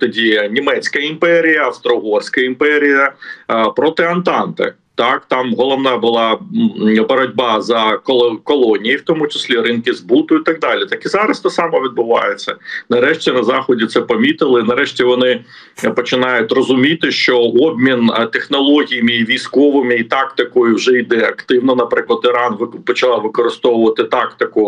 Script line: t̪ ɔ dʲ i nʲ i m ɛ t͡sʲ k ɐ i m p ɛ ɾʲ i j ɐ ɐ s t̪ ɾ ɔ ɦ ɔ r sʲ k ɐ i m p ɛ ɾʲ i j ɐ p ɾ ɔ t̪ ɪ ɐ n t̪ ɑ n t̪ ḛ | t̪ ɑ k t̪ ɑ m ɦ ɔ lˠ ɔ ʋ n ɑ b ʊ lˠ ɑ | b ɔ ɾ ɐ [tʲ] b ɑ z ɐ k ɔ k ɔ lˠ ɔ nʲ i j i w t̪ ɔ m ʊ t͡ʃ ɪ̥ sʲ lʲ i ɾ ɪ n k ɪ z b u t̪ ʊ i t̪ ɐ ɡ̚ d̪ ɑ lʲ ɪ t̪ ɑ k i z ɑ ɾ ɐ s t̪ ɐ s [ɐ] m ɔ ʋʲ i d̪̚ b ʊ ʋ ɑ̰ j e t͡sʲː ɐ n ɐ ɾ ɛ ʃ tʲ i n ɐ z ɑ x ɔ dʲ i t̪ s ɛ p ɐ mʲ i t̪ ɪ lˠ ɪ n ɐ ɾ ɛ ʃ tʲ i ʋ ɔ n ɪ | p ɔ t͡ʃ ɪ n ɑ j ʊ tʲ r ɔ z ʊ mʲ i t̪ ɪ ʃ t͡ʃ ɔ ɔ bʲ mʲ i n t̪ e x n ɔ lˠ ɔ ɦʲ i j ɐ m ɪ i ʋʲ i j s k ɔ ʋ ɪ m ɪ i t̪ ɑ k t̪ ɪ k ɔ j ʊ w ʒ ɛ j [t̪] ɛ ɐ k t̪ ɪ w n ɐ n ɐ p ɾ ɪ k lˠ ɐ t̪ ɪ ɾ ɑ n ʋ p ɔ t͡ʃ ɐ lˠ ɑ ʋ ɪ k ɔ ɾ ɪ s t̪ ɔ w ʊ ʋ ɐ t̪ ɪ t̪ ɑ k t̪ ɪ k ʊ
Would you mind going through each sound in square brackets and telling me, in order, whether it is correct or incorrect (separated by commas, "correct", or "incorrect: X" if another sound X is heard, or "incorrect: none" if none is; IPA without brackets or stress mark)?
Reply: incorrect: dʲ, incorrect: ɑ, incorrect: d̪